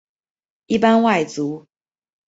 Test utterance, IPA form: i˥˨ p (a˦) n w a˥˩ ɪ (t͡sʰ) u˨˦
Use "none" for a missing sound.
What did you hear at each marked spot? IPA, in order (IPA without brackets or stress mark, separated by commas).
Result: a˦, t͡s